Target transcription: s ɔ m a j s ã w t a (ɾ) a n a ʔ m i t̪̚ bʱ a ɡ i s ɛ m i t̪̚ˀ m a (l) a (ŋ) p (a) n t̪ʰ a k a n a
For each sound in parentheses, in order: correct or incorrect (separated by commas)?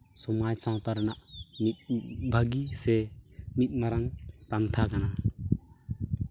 correct, incorrect, correct, correct